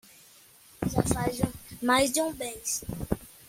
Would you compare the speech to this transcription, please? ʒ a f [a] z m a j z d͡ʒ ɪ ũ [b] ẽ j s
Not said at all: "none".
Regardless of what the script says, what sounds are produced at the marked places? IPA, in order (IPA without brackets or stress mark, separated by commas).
a, b